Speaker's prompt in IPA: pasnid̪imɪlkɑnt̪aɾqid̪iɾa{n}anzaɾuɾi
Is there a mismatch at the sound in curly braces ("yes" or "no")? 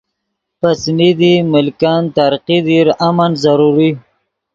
yes